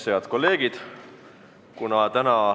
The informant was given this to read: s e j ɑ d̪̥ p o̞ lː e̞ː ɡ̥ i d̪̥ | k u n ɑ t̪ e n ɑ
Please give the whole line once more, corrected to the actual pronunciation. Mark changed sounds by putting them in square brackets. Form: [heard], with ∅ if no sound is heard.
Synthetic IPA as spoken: s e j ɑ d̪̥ [k] o̞ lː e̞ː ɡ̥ i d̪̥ | k u n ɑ t̪ [æ] n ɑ

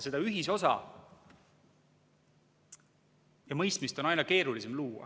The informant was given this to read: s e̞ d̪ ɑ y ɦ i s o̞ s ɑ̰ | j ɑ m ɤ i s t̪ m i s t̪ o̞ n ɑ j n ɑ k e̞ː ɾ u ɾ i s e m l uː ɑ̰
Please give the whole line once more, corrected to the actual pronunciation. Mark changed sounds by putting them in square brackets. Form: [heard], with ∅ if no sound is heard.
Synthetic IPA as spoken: s e̞ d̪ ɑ y ɦ i s o̞ s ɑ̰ | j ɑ m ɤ [j] s t̪ m i s t̪ o̞ n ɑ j n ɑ k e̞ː ɾ u [l] i s e m l uː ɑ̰

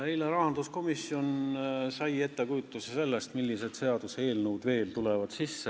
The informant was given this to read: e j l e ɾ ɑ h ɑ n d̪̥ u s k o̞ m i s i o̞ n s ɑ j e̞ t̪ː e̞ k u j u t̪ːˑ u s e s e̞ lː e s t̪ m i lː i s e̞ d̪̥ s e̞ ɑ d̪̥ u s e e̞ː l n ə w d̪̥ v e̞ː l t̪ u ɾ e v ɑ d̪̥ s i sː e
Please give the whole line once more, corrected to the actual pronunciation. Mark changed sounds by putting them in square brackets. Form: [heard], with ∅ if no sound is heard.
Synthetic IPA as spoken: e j l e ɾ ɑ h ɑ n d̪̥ u s k o̞ m i s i o̞ n s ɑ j e̞ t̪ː e̞ k u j u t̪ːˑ u s e s e̞ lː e s t̪ m i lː i s e̞ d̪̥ s e̞ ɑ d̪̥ u s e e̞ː l n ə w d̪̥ v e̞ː l t̪ u [l] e v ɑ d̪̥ s i sː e

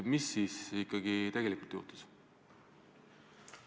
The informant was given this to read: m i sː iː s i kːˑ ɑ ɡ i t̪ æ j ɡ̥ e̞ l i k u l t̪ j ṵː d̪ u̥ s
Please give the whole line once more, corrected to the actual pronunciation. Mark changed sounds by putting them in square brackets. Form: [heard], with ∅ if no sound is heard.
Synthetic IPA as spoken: m i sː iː s i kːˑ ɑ ɡ i t̪ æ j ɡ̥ e̞ l i k u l t̪ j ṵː [t̪] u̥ s

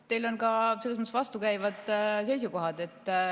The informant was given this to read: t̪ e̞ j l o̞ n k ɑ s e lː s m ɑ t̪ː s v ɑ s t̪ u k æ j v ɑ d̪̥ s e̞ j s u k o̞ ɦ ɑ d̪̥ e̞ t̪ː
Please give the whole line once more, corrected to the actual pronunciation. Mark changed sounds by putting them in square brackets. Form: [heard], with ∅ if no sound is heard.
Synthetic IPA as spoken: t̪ e̞ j l o̞ n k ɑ s e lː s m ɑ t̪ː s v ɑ s t̪ u k æ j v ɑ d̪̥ s e̞ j s u k o̞ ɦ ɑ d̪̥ e̞ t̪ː

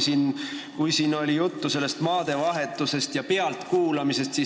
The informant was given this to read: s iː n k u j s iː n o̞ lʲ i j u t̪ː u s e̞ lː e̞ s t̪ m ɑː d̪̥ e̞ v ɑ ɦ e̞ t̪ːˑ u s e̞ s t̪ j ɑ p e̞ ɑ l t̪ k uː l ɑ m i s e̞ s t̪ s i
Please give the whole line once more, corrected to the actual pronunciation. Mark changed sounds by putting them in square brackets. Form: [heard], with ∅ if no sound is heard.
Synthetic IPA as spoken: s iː n k u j s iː n o̞ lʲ i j u t̪ː u s e̞ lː e̞ s t̪ m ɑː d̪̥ e̞ v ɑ ɦ e̞ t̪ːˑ u s e̞ s t̪ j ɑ p e̞ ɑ l t̪ k uː l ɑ m i s e̞ s t̪ s i

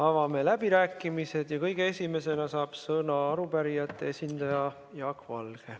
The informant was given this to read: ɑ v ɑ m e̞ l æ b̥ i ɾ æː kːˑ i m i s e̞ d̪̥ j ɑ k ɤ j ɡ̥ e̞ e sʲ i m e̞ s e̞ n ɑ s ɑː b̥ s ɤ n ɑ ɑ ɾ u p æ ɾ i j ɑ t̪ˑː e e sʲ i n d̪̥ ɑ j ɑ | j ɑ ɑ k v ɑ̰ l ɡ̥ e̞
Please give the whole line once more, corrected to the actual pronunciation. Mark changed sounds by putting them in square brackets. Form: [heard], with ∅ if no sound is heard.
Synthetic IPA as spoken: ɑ v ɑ m e̞ l æ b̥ i ɾ æː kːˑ i m i s e̞ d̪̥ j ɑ k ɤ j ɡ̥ e̞ e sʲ i m e̞ s e̞ n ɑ s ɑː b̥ s ɤ n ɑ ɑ ɾ u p æ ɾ i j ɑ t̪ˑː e e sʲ i n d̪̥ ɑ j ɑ | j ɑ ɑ k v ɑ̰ l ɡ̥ e̞

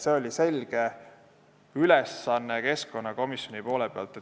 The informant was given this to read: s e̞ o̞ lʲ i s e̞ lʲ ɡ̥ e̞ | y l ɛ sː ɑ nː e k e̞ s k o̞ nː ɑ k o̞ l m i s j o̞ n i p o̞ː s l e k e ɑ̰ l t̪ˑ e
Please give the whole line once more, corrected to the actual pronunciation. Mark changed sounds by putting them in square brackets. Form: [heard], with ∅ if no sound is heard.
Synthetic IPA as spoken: s e̞ o̞ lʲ i s e̞ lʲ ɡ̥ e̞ | y l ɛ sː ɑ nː e k e̞ s k o̞ nː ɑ k o̞ [∅] m i s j o̞ n i p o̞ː [∅] l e [p] e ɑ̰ l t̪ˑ e

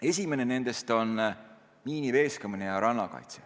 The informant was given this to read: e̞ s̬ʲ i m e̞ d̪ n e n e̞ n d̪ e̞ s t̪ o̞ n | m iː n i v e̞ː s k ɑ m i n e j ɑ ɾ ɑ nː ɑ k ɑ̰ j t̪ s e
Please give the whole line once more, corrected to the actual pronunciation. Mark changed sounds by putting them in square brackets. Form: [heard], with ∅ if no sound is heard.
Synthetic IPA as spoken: e̞ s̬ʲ i m e̞ [∅] n e n e̞ n d̪ e̞ s t̪ o̞ n | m iː n i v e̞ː s k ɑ m i n e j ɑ ɾ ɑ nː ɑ k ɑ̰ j t̪ s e

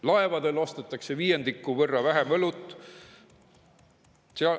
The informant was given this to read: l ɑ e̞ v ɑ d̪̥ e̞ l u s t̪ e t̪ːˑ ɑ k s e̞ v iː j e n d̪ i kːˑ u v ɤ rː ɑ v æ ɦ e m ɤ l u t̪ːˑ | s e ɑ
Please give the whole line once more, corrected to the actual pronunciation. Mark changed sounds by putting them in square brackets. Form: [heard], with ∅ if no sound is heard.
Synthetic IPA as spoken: l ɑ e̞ v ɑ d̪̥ e̞ l [o] s t̪ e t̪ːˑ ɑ k s e̞ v iː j e n d̪ i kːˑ u v ɤ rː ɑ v æ ɦ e m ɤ l u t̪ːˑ | s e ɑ

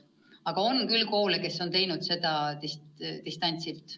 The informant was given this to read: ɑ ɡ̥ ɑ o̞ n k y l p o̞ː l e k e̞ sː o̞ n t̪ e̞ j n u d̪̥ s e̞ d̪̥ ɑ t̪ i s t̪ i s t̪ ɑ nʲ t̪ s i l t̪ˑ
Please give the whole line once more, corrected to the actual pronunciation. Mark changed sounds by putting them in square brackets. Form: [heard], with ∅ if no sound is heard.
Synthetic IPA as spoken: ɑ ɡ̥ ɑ o̞ n k y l [k] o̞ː l e k e̞ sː o̞ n t̪ e̞ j n u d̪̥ s e̞ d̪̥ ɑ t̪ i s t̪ i s t̪ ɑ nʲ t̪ s i l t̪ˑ

